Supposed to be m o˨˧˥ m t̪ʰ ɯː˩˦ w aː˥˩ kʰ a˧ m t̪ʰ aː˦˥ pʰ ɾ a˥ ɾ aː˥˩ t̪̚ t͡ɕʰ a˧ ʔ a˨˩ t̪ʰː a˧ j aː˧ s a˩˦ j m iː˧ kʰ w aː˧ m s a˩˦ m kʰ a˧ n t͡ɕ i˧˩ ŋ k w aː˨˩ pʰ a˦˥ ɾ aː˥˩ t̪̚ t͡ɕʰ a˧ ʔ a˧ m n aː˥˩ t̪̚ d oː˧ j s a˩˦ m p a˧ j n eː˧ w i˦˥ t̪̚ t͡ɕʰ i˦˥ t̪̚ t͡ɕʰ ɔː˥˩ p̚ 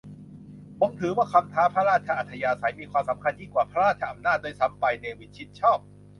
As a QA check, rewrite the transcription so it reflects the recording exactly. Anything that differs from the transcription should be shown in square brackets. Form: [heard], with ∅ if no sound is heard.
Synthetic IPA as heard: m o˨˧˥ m t̪ʰ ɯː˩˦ w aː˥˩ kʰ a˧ m t̪ʰ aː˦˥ pʰ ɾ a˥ ɾ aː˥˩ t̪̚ t͡ɕʰ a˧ ʔ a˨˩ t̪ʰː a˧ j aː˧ s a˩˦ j m iː˧ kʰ w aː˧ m s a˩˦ m kʰ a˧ n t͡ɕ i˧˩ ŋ k w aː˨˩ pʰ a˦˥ ɾ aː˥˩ t̪̚ t͡ɕʰ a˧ ʔ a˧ m n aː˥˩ t̪̚ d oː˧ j s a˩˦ m p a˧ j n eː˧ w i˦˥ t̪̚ t͡ɕʰ i˦˥ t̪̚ t͡ɕʰ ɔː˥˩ p̚